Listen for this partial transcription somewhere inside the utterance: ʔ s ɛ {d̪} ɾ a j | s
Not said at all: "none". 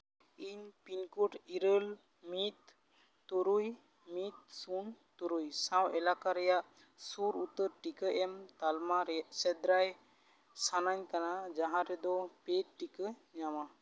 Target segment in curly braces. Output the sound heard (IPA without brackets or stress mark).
d̪